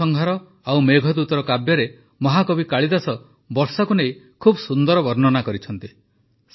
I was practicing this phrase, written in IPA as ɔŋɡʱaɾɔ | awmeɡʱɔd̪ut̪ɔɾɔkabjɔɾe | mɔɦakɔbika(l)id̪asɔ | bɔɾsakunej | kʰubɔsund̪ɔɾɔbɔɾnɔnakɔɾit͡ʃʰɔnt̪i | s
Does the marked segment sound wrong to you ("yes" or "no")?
yes